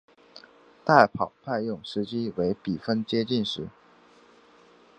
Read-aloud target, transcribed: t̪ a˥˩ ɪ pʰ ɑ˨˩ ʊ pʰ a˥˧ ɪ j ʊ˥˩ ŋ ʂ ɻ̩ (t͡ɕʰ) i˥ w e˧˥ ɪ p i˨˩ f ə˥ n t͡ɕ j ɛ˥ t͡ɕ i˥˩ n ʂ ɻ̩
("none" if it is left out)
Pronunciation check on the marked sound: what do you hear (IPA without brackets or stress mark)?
t͡ɕ